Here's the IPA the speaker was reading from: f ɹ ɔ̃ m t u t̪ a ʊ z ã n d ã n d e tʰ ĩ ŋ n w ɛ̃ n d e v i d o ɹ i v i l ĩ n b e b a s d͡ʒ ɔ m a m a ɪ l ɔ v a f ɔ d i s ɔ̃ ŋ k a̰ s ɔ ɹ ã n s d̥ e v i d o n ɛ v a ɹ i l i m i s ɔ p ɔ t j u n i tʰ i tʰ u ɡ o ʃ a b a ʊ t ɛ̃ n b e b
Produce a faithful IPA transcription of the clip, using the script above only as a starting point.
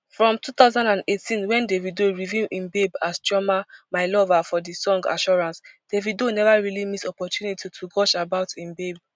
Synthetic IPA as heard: f ɹ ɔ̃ m t u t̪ a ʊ z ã n d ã n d e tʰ ĩ n w ɛ̃ n d e v i d o ɹ i v i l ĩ n b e b a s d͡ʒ ɔ m a m a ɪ l ɔ v a f ɔ d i s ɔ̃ ŋ ɡ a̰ ʃ ɔ ɹ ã n s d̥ e v i d o n ɛ v a ɹ i l i m i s ɔ p ɔ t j u n i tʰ i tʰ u ɡ ɔ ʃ a b a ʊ t ĩ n b e b